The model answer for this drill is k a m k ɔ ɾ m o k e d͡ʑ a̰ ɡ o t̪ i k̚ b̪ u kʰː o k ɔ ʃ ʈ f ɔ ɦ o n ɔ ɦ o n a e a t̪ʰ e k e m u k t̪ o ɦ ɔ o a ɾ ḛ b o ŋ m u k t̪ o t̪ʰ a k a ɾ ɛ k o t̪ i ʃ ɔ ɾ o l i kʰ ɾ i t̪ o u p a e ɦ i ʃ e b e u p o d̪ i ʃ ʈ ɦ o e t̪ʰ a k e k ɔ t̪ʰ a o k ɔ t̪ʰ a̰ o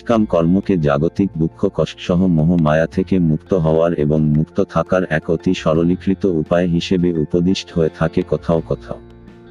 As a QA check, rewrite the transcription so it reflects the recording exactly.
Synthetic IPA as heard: k a m k ɔ ɾ m o k e d͡ʑ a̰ ɡ o t̪ i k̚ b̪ u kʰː o k ɔ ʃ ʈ ʃ ɔ ɦ o m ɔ ɦ o m a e a t̪ʰ e k e m u k t̪ o ɦ ɔ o a ɾ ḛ b o ŋ m u k t̪ o t̪ʰ a k a ɾ ɛ k o t̪ i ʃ ɔ ɾ o l i kʰ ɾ i t̪ o u p a e ɦ i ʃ e b e u p o d̪ i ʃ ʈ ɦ o e t̪ʰ a k e k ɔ t̪ʰ a o k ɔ t̪ʰ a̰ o